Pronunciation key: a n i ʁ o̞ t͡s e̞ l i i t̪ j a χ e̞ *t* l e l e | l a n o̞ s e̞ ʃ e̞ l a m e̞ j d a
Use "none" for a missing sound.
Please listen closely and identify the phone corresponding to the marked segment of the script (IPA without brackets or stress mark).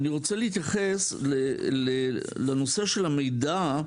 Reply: s